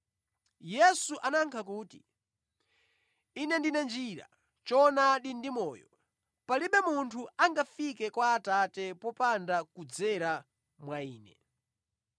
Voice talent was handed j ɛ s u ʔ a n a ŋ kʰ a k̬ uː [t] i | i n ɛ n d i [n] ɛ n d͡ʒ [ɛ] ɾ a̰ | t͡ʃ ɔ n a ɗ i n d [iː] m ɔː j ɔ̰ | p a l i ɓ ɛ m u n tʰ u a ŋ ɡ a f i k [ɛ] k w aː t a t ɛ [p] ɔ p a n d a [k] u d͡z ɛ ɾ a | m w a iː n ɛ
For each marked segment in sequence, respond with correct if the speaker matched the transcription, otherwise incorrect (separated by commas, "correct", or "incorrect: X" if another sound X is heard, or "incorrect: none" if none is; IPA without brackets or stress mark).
correct, correct, incorrect: i, incorrect: i, correct, correct, correct